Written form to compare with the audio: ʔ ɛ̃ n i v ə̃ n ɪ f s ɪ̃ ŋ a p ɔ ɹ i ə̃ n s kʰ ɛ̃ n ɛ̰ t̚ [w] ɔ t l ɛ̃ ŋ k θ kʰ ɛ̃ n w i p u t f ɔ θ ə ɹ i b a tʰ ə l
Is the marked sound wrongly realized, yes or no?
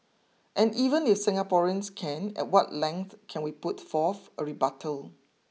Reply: no